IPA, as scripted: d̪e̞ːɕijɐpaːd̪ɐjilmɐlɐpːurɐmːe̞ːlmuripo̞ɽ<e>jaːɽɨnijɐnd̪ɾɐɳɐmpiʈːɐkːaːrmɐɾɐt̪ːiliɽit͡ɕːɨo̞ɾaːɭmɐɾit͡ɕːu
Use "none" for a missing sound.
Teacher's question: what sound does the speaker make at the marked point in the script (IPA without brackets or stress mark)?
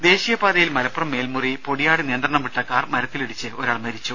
i